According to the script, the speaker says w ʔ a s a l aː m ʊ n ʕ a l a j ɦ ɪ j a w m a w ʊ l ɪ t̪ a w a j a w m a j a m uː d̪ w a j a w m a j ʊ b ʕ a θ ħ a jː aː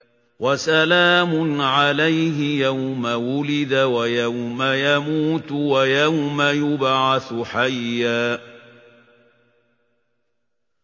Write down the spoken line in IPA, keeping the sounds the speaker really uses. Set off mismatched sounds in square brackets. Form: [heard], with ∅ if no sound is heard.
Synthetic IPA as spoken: w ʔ a s a l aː m ʊ n ʕ a l a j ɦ ɪ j a w m a w ʊ l ɪ [d̪] a w a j a w m a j a m uː [t̪] w a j a w m a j ʊ b ʕ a θ ħ a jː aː